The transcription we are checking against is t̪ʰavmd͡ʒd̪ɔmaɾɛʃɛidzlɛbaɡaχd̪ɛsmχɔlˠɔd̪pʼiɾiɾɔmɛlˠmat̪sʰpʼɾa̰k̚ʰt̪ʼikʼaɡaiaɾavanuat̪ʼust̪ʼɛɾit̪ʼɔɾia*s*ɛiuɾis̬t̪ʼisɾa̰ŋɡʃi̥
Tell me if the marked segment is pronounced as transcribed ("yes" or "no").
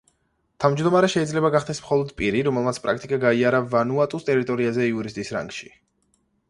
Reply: no